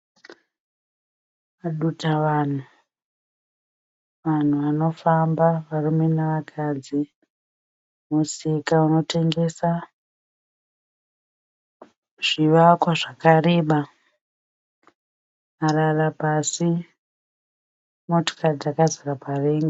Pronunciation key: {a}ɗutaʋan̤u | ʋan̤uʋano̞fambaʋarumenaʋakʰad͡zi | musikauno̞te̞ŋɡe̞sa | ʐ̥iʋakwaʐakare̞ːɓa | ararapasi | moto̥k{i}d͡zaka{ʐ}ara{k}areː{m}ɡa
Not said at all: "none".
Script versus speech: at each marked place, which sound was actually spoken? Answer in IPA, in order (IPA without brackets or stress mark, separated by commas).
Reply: a, a, z, p, ŋ